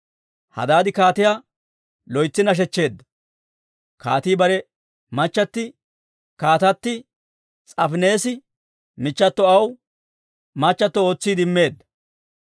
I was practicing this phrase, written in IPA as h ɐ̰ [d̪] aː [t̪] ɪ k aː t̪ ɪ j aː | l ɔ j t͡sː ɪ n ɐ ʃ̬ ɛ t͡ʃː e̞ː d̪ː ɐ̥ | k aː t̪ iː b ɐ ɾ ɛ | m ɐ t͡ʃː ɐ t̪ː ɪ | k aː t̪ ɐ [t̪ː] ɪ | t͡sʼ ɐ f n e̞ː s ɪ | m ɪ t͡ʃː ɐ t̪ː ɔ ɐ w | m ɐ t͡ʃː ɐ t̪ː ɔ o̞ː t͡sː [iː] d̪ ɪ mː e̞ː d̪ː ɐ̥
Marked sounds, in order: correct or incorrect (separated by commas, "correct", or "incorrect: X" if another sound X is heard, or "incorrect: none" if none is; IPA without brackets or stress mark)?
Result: correct, incorrect: d̪, correct, correct